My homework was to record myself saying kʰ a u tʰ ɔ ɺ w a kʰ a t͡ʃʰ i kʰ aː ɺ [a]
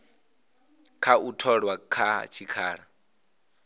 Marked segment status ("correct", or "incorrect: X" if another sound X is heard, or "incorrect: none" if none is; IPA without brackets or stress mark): correct